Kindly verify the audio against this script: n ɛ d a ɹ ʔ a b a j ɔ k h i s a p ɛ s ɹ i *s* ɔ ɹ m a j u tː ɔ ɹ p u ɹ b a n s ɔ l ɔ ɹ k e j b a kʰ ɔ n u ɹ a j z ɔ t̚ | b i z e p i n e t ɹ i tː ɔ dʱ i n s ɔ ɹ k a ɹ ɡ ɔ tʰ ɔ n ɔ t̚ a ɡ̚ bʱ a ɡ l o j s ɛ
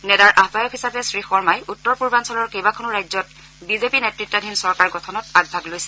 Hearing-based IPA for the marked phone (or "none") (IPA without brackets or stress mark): x